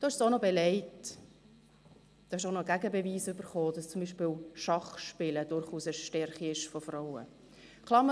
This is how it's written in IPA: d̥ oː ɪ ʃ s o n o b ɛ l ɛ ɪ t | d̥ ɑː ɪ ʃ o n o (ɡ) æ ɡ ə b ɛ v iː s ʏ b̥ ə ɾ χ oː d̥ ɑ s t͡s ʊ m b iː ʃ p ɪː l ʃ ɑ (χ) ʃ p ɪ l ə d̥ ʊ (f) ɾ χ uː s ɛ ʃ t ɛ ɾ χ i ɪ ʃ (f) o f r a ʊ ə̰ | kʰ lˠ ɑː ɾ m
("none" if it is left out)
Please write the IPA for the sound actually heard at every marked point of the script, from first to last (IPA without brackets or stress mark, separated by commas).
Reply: ɡ, χ, none, f